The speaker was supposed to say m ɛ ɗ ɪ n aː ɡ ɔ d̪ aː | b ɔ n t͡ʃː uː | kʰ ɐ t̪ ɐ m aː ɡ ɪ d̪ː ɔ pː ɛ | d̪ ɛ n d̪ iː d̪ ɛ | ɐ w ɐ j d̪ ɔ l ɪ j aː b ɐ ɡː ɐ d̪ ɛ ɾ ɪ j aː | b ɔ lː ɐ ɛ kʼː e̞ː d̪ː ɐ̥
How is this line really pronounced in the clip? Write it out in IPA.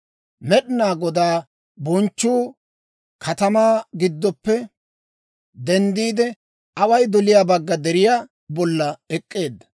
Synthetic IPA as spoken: m ɛ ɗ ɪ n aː ɡ ɔ d̪ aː | b ɔ n t͡ʃː uː | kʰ ɐ t̪ ɐ m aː ɡ ɪ d̪ː ɔ pː ɛ | d̪ ɛ n d̪ iː d̪ ɛ | ɐ w ɐ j d̪ ɔ l ɪ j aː b ɐ ɡː ɐ d̪ ɛ ɾ ɪ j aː | b ɔ lː ɐ ɛ kʼː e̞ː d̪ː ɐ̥